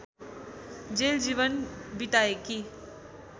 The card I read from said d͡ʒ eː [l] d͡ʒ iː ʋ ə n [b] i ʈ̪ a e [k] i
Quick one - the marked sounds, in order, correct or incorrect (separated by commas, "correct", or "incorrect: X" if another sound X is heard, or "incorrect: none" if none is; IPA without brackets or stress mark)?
correct, correct, correct